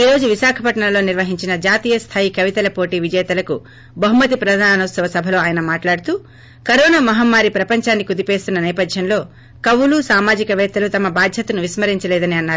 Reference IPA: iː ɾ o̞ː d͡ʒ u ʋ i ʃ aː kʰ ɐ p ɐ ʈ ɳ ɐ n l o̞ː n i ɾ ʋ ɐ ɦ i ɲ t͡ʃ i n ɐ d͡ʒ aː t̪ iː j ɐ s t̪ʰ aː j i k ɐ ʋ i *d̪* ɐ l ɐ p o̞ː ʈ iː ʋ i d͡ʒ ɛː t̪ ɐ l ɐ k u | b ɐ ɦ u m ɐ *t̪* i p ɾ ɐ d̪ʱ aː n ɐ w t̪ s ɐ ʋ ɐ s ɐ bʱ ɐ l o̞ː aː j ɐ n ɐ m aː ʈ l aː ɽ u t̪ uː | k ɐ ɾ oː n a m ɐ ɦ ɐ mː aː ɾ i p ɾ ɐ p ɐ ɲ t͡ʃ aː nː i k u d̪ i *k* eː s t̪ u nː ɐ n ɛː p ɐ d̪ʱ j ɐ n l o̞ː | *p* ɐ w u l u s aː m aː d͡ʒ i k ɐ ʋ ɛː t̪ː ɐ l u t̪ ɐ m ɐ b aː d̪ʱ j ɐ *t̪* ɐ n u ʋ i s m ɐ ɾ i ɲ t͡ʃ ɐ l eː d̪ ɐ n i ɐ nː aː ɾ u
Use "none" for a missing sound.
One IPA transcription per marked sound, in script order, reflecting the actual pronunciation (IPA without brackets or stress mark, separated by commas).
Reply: t̪, t̪, p, k, t̪